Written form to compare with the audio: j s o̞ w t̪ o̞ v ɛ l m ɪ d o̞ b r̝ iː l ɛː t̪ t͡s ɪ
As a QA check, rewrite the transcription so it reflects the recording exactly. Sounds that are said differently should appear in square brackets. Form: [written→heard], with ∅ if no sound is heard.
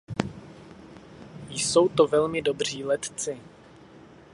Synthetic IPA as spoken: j s o̞ w t̪ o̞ v ɛ l m ɪ d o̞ b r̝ iː l [ɛː→ɛ] t̪ t͡s ɪ